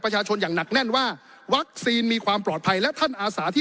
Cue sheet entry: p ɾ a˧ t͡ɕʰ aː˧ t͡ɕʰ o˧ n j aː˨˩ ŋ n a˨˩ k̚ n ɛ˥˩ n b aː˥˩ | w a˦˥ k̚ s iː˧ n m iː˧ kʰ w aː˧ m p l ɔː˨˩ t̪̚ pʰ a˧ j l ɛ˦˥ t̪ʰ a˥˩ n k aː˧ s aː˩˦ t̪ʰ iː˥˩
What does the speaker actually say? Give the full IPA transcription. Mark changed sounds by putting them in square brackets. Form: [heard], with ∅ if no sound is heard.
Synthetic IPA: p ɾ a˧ t͡ɕʰ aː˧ t͡ɕʰ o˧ n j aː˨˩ ŋ n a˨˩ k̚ n ɛ˥˩ n [w] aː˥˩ | w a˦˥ k̚ s iː˧ n m iː˧ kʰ w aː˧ m p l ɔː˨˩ t̪̚ pʰ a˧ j l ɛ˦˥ t̪ʰ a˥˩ n [ʔ] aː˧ s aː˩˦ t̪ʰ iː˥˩